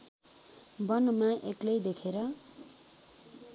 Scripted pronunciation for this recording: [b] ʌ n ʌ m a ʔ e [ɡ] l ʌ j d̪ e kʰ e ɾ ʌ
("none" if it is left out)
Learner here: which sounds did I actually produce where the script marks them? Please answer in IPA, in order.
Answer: b, k

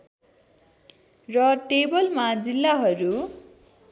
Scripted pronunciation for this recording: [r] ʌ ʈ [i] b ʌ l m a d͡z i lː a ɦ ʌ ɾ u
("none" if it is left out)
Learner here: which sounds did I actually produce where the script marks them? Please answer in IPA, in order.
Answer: r, e

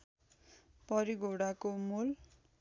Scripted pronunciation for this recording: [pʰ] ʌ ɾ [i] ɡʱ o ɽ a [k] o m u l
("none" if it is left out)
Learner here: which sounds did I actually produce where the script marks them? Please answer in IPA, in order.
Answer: p, i, k

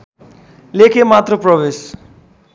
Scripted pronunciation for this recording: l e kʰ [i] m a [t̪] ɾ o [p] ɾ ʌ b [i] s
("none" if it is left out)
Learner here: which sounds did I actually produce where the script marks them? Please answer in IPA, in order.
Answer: e, t̪, p, e

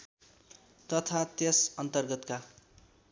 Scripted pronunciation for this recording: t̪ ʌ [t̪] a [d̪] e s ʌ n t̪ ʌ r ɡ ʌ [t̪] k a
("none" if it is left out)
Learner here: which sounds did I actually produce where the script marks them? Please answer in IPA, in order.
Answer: t̪ʰ, t̪, t̪

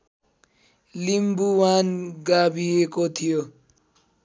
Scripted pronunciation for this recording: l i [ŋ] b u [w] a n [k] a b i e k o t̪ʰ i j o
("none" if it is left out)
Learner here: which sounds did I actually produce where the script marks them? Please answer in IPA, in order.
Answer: m, w, ɡ

